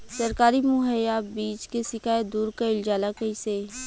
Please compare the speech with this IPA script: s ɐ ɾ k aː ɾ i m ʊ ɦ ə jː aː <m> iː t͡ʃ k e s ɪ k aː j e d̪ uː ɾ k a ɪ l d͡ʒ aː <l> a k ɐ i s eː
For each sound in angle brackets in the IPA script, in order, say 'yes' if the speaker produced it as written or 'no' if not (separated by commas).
no, yes